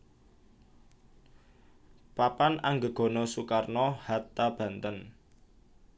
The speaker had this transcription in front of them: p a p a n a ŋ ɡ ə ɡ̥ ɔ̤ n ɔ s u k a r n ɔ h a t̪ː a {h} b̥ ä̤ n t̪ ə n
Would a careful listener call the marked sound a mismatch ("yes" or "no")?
yes